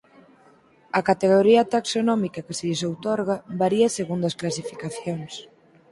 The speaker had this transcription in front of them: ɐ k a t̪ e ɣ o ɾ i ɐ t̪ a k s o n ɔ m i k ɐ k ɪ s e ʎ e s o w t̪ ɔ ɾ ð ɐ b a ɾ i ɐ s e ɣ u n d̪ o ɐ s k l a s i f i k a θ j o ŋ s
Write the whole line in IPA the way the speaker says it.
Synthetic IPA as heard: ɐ k a t̪ e ɣ o ɾ i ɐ t̪ a k s o n ɔ m i k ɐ k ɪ s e ʎ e s o w t̪ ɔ ɾ ɣ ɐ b a ɾ i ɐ s e ɣ u n d̪ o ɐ s k l a s i f i k a θ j o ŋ s

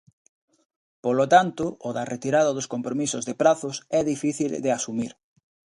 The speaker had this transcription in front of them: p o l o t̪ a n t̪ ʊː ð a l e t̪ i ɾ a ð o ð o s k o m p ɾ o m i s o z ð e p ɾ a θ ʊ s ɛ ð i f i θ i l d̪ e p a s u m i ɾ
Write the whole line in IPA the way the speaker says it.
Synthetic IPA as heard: p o l o t̪ a n t̪ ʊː ð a r e t̪ i ɾ a ð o ð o s k o m p ɾ o m i s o z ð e p ɾ a θ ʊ s ɛ ð i f i θ i l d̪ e a s u m i ɾ

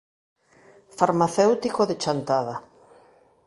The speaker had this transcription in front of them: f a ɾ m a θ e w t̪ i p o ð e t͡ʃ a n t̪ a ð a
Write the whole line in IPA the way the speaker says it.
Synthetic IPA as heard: f a ɾ m a θ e w t̪ i k o ð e t͡ʃ a n t̪ a ð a

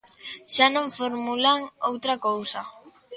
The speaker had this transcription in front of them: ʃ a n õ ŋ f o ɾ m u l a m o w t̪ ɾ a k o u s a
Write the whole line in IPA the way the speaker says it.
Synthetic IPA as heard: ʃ a n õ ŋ f o ɾ m u l a ŋ o w t̪ ɾ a k o w s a

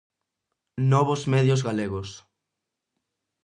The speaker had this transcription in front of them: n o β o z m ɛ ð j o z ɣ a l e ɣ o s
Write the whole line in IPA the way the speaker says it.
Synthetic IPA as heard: n ɔ β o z m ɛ ð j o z ɣ a l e ɣ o s

